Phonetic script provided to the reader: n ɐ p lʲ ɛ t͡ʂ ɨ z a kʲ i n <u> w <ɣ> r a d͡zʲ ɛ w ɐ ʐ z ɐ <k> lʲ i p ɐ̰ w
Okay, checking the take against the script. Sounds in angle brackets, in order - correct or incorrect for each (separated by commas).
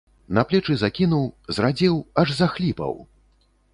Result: correct, incorrect, incorrect